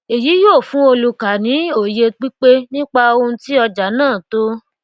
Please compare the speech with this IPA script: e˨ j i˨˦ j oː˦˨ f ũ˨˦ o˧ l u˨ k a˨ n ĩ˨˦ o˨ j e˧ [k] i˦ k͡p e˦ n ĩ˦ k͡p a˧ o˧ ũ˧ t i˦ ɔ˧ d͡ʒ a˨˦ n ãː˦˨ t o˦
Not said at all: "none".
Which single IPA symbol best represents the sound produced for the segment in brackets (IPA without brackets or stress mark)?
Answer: k͡p